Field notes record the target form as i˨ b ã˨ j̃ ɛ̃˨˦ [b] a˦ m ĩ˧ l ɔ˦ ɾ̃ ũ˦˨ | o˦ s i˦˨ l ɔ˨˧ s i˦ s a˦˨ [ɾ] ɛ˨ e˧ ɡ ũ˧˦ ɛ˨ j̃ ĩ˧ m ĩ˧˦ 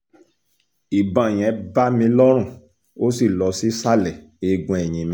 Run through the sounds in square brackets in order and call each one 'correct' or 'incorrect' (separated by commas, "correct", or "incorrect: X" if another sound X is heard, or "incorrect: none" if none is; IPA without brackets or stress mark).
correct, incorrect: l